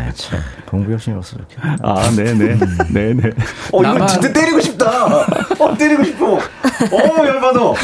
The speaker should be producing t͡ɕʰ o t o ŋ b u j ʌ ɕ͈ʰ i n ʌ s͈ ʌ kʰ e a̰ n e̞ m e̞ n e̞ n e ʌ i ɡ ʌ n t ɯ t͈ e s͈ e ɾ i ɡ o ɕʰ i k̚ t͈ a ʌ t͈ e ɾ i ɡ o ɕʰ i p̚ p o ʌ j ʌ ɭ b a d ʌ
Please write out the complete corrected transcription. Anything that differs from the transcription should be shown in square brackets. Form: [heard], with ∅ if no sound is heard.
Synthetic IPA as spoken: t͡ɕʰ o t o ŋ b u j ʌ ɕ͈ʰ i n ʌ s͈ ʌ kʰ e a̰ n e̞ [n] e̞ n e̞ n e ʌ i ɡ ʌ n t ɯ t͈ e [t͈] e ɾ i ɡ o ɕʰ i [p̚] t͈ a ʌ t͈ e ɾ i ɡ o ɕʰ i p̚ [k] o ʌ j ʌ ɭ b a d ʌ